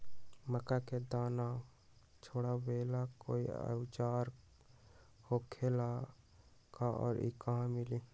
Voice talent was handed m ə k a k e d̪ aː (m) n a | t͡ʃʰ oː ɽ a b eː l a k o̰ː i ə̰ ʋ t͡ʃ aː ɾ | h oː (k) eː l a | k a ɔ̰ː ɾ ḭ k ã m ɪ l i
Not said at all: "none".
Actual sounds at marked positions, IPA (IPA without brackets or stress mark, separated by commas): none, kʰ